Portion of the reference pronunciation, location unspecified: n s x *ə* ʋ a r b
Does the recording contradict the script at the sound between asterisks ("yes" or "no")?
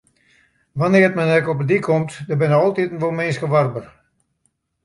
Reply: no